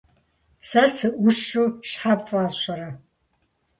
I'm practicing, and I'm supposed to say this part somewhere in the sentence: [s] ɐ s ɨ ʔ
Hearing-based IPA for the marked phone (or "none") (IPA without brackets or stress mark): s